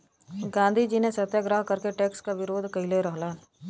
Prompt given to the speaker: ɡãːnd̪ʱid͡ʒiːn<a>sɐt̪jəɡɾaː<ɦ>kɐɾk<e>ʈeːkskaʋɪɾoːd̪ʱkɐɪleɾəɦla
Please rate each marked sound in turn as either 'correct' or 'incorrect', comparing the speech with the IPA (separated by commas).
incorrect, correct, correct